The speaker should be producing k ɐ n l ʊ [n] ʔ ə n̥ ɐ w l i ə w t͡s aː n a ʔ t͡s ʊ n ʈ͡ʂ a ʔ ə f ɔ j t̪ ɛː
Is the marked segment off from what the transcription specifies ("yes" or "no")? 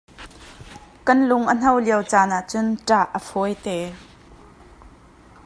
yes